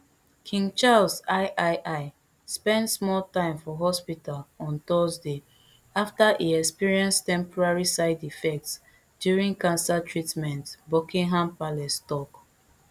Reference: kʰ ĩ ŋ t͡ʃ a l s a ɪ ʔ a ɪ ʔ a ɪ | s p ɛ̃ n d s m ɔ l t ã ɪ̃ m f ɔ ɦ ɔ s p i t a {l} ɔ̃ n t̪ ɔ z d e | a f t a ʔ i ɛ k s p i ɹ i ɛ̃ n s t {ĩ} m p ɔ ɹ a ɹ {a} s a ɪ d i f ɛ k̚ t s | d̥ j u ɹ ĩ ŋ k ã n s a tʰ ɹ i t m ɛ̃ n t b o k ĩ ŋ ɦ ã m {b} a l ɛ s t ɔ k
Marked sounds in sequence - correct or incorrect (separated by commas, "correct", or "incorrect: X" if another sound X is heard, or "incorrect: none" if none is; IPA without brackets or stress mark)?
correct, incorrect: ɛ̃, incorrect: i, incorrect: p